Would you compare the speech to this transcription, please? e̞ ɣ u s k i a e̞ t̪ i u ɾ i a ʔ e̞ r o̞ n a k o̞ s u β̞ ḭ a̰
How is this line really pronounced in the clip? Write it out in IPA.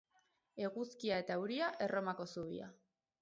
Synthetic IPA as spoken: e̞ ɣ u s k i a e̞ t̪ a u ɾ i a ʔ e̞ r o̞ m a k o̞ s u β̞ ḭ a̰

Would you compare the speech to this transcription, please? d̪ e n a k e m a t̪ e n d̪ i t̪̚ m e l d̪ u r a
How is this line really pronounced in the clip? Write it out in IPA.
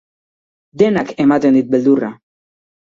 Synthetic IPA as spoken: d̪ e n a k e m a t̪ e n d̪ i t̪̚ b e l d̪ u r a

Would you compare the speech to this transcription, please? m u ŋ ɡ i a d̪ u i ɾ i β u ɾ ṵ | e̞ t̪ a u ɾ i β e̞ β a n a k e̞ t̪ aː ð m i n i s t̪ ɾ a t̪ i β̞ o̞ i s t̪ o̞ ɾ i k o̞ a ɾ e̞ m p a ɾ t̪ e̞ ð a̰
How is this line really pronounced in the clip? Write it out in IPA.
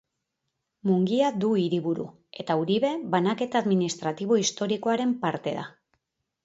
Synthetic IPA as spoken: m u ŋ ɡ i a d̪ u i ɾ i β u ɾ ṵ | e̞ t̪ a u ɾ i β e̞ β a n a k e̞ t̪ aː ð m i n i s t̪ ɾ a t̪ i β̞ o̞ i s t̪ o̞ ɾ i k o̞ a ɾ e̞ m p a ɾ t̪ e̞ ð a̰

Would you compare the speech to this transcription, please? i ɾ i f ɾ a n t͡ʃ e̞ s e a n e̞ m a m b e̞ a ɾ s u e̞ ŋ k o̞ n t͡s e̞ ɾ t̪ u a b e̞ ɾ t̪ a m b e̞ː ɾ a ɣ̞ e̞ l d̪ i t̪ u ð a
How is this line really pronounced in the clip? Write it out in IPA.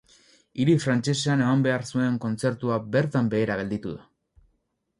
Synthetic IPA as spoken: i ɾ i f ɾ a n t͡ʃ e̞ s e a n e̞ m a m b e̞ a ɾ s u e̞ ŋ k o̞ n t͡s e̞ ɾ t̪ u a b e̞ ɾ t̪ a m b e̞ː ɾ a ɣ̞ e̞ l d̪ i t̪ u ð a

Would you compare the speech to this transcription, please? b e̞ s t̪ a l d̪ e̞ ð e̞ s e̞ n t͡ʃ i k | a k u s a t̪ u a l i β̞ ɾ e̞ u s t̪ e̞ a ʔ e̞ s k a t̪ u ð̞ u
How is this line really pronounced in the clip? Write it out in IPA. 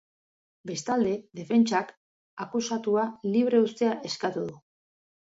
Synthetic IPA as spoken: b e̞ s t̪ a l d̪ e̞ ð e̞ f e̞ n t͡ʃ a k | a k u s a t̪ u a l i β̞ ɾ e̞ u s t̪ e̞ a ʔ e̞ s k a t̪ u ð̞ u

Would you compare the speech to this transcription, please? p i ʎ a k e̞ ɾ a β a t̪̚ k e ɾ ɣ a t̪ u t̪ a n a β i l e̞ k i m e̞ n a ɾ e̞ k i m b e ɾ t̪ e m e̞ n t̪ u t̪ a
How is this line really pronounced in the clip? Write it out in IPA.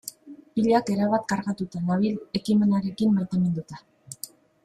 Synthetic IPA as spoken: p i ʎ a k e̞ ɾ a β a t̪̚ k a ɾ ɣ a t̪ u t̪ a n a β i l e̞ k i m e̞ n a ɾ e̞ k i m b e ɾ t̪ e m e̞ n d̪ u t̪ a

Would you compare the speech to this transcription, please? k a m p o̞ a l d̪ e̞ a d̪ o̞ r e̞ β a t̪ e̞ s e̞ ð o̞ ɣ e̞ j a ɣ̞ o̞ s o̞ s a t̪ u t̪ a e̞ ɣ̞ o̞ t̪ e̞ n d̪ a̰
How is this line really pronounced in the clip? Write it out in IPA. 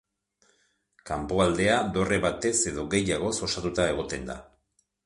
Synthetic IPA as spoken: k a m p o̞ a l d̪ e̞ a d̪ o̞ r e̞ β a t̪ e̞ s e̞ ð o̞ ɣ e̞ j a ɣ̞ o̞ s o̞ s a t̪ u t̪ a e̞ ɣ̞ o̞ t̪ e̞ n d̪ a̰

